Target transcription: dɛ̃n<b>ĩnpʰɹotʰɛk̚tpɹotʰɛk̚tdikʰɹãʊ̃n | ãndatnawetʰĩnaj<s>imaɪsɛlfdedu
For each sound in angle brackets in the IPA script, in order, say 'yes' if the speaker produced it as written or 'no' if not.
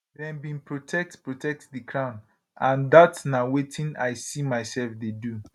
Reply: yes, yes

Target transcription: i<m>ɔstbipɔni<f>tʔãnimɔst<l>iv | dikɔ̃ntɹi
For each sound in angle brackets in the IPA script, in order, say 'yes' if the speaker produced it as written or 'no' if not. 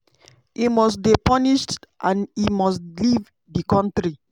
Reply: yes, no, yes

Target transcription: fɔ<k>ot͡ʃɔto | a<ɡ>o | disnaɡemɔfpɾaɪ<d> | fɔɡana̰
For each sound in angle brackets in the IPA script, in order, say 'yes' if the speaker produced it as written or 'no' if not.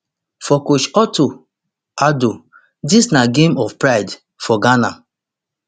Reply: yes, no, yes

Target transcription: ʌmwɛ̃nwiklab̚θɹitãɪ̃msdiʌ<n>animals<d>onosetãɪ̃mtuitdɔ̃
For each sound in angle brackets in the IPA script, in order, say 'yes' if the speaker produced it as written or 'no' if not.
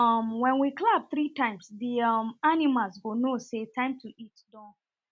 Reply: no, no

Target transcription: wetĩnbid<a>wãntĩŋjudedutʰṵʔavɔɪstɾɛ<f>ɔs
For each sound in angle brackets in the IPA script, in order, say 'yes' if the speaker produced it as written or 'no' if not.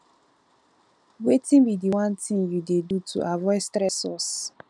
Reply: no, no

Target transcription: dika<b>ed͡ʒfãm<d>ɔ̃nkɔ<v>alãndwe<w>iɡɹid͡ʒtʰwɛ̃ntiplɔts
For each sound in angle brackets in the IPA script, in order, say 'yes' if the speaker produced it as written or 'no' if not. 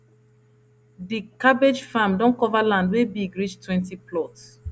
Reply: yes, yes, yes, no

